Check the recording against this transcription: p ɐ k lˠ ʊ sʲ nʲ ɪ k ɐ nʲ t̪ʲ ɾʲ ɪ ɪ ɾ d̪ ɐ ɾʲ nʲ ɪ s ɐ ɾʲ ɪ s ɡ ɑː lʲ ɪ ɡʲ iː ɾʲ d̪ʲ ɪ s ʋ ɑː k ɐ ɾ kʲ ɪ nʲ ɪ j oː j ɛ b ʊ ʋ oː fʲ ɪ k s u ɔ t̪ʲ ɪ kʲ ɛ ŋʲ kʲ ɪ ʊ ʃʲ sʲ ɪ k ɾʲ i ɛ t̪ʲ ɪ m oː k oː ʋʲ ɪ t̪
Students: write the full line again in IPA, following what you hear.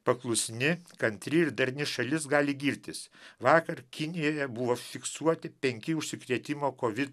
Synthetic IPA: p ɐ k lˠ ʊ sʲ nʲ ɪ k ɐ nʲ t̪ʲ ɾʲ ɪ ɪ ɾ d̪ ɐ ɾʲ nʲ ɪ ʃ ɐ lʲ ɪ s ɡ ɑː lʲ ɪ ɡʲ iː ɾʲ t̪ʲ ɪ s ʋ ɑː k ɐ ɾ kʲ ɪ nʲ ɪ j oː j ɛ b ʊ ʋ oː fʲ ɪ k s u ɔ t̪ʲ ɪ pʲ ɛ ŋʲ kʲ ɪ ʊ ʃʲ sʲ ɪ k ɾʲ i ɛ t̪ʲ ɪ m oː k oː ʋʲ ɪ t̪

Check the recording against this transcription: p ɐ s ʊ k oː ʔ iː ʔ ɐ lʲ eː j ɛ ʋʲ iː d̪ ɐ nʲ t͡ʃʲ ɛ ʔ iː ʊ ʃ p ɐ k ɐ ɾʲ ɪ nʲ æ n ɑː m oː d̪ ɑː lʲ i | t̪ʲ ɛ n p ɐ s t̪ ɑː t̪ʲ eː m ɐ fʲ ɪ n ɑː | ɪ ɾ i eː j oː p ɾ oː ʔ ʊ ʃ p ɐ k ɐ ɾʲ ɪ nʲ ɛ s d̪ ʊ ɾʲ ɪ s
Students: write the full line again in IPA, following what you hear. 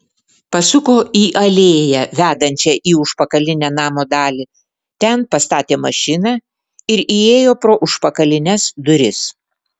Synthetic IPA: p ɐ s ʊ k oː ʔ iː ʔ ɐ lʲ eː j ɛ ʋʲ æː d̪ ɐ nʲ t͡ʃʲ ɛ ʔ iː ʊ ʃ p ɐ k ɐ lʲ ɪ nʲ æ n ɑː m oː d̪ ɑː lʲ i | t̪ʲ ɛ n p ɐ s t̪ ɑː t̪ʲ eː m ɐ ʃʲ ɪ n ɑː | ɪ ɾ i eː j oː p ɾ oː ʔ ʊ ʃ p ɐ k ɐ lʲ ɪ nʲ ɛ s d̪ ʊ ɾʲ ɪ s

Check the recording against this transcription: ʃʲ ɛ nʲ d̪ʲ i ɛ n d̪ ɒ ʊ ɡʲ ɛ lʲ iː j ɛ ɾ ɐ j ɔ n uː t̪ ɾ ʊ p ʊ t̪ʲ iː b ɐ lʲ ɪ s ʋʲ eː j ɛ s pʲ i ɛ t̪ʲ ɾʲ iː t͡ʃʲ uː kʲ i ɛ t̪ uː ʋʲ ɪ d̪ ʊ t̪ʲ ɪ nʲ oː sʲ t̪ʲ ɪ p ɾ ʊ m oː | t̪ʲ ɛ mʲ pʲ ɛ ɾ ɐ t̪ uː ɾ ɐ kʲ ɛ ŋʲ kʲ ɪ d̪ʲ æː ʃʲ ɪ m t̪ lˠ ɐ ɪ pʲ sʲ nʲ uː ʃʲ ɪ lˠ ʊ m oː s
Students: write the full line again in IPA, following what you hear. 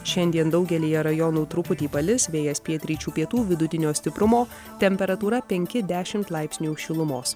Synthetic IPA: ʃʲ ɛ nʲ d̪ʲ i ɛ n d̪ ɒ ʊ ɡʲ ɛ lʲ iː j ɛ ɾ ɐ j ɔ n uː t̪ ɾ ʊ p ʊ t̪ʲ iː p ɐ lʲ ɪ s ʋʲ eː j ɛ s pʲ i ɛ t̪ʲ ɾʲ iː t͡ʃʲ uː pʲ i ɛ t̪ uː ʋʲ ɪ d̪ ʊ t̪ʲ ɪ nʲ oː sʲ t̪ʲ ɪ p ɾ ʊ m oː | t̪ʲ ɛ mʲ pʲ ɛ ɾ ɐ t̪ uː ɾ ɐ pʲ ɛ ŋʲ kʲ ɪ d̪ʲ æː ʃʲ ɪ m t̪ lˠ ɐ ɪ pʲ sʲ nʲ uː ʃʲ ɪ lˠ ʊ m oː s

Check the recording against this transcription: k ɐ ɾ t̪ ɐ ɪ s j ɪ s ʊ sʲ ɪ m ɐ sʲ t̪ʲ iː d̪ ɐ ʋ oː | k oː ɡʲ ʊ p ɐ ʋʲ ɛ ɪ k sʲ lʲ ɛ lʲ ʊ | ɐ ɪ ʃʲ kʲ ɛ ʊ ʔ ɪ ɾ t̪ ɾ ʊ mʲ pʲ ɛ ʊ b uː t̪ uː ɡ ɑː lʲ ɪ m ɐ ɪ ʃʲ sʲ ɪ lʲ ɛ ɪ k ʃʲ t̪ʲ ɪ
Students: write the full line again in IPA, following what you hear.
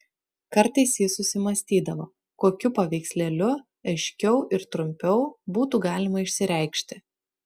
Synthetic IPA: k ɐ ɾ t̪ ɐ ɪ s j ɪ s ʊ sʲ ɪ m ɐ sʲ t̪ʲ iː d̪ ɐ ʋ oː | k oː kʲ ʊ p ɐ ʋʲ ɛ ɪ k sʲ lʲ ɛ lʲ ʊ | ɐ ɪ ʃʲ kʲ ɛ ʊ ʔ ɪ ɾ t̪ ɾ ʊ mʲ pʲ ɛ ʊ b uː t̪ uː ɡ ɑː lʲ ɪ m ɐ ɪ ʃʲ sʲ ɪ ɾʲ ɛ ɪ k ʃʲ t̪ʲ ɪ

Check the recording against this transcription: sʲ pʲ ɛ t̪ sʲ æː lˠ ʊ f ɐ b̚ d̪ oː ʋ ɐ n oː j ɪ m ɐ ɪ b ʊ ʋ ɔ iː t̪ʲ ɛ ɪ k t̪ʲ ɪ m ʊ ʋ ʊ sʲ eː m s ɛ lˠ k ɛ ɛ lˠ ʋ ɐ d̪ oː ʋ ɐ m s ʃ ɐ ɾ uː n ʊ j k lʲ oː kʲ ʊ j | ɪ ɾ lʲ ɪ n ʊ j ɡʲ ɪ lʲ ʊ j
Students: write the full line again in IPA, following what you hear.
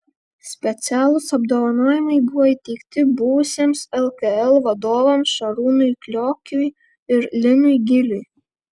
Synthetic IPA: sʲ pʲ ɛ t̪ sʲ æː lˠ ʊ s ɐ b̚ d̪ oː ʋ ɐ n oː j ɪ m ɐ ɪ b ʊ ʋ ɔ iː t̪ʲ ɛ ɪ k t̪ʲ ɪ b ʊ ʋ ʊ sʲ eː m s ɛ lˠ k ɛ ɛ lˠ ʋ ɐ d̪ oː ʋ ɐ m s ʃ ɐ ɾ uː n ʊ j k lʲ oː kʲ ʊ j | ɪ ɾ lʲ ɪ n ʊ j ɡʲ ɪ lʲ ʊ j

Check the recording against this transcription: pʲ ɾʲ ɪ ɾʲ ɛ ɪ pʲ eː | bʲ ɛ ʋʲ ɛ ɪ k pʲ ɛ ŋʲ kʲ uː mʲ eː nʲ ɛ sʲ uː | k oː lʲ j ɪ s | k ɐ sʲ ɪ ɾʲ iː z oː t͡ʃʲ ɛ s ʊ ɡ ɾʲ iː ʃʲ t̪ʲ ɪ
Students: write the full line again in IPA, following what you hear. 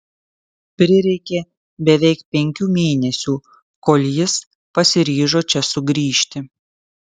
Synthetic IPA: pʲ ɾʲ ɪ ɾʲ ɛ ɪ kʲ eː | bʲ ɛ ʋʲ ɛ ɪ k pʲ ɛ ŋʲ kʲ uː mʲ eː nʲ ɛ sʲ uː | k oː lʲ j ɪ s | p ɐ sʲ ɪ ɾʲ iː ʒ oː t͡ʃʲ ɛ s ʊ ɡ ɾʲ iː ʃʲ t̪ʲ ɪ

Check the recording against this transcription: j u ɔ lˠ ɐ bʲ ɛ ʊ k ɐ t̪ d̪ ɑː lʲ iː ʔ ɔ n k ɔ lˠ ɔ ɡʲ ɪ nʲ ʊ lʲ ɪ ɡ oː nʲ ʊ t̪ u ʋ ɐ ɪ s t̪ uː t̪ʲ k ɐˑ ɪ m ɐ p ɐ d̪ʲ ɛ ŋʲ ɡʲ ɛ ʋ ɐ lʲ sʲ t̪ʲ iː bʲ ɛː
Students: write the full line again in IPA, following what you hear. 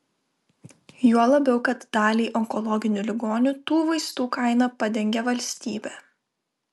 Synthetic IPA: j u ɔ lˠ ɐ bʲ ɛ ʊ k ɐ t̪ d̪ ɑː lʲ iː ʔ ɔ ŋ k ɔ lˠ ɔ ɡʲ ɪ nʲ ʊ lʲ ɪ ɡ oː nʲ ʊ t̪ uː ʋ ɐ ɪ s t̪ uː k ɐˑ ɪ n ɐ p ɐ d̪ʲ ɛ ŋʲ ɡʲ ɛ ʋ ɐ lʲ sʲ t̪ʲ iː bʲ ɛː

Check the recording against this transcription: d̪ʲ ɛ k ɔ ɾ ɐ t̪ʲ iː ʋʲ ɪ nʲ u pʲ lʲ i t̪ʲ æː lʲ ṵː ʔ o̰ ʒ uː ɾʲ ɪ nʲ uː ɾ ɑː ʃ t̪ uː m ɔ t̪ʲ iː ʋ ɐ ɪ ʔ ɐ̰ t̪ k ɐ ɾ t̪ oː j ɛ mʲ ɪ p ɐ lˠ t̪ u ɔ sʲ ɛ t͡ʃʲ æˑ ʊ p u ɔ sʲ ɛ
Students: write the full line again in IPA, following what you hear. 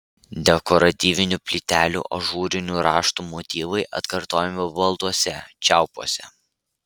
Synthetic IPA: d̪ʲ ɛ k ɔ ɾ ɐ t̪ʲ iː ʋʲ ɪ nʲ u pʲ lʲ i t̪ʲ æː lʲ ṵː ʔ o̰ ʒ uː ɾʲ ɪ nʲ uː ɾ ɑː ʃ t̪ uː m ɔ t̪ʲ iː ʋ ɐ ɪ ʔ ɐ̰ t̪ k ɐ ɾ t̪ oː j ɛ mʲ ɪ b ɐ lˠ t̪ u ɔ sʲ ɛ t͡ʃʲ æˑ ʊ p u ɔ sʲ ɛ

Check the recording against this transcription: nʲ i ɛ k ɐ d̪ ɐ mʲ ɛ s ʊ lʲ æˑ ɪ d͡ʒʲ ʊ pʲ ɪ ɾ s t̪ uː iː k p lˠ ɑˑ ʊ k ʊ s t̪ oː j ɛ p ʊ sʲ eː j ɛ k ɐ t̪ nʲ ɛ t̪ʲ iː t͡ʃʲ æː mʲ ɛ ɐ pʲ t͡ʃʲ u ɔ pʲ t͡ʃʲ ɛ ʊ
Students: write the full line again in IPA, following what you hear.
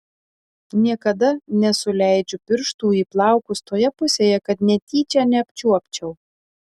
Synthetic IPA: nʲ i ɛ k ɐ d̪ ɐ nʲ ɛ s ʊ lʲ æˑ ɪ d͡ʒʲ ʊ pʲ ɪ ɾ ʃ t̪ uː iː p lˠ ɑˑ ʊ k ʊ s t̪ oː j ɛ p ʊ sʲ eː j ɛ k ɐ t̪ nʲ ɛ t̪ʲ iː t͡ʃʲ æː nʲ ɛ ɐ pʲ t͡ʃʲ u ɔ pʲ t͡ʃʲ ɛ ʊ

